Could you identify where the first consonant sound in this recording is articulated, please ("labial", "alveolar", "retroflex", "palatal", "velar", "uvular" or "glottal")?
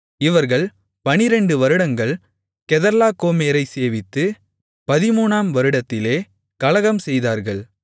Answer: labial